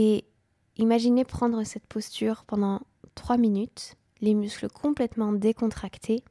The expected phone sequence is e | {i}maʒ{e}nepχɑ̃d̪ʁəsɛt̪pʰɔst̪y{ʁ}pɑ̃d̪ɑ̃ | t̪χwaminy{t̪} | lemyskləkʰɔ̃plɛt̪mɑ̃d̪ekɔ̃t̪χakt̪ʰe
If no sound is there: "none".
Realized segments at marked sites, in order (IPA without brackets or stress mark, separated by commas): i, i, ʁ, t̪